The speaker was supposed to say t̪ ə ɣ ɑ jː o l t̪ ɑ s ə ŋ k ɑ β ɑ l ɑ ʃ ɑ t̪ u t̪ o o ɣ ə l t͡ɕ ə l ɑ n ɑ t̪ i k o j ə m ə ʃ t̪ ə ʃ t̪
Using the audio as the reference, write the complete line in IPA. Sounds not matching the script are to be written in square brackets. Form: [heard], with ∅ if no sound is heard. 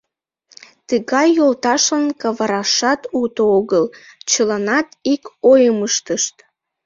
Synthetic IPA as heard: t̪ ə ɣ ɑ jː o l t̪ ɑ [ʃ] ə [n] k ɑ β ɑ [ɾ] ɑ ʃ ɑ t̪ u t̪ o o ɣ ə l t͡ɕ ə l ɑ n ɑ t̪ i k o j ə m ə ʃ t̪ ə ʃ t̪